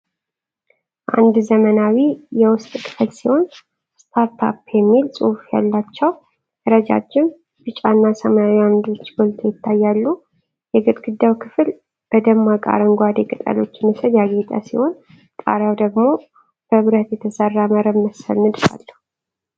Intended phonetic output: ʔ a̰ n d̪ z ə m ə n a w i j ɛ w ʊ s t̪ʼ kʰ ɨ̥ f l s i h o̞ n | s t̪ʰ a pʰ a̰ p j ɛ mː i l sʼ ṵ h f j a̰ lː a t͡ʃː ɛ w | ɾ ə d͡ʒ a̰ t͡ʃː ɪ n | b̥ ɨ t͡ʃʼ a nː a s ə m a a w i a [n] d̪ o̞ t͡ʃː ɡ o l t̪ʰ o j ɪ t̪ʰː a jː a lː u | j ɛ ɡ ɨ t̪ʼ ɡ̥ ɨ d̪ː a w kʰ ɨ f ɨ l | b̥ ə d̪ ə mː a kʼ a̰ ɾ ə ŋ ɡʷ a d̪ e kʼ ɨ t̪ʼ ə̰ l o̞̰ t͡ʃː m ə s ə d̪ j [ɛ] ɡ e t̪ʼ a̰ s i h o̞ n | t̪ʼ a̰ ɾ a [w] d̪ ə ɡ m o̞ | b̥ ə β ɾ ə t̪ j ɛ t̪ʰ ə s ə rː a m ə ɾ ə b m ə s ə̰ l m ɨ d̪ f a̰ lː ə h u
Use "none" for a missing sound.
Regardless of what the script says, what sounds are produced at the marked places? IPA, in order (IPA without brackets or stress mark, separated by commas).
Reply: m, a, w